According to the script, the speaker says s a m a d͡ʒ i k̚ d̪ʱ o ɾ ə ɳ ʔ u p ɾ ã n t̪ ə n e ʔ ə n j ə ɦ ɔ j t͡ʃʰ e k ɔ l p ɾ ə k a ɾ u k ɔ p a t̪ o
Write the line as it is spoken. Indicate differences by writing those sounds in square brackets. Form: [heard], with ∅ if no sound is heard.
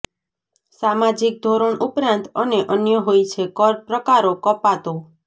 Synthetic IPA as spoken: s a m a d͡ʒ i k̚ d̪ʱ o ɾ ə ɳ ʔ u p ɾ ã n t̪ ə n e ʔ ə n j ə ɦ [o] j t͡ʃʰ e k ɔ [ɾ] p ɾ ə k a ɾ [o] k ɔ p a t̪ o